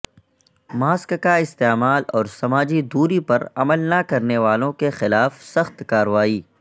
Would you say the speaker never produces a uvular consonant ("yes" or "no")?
yes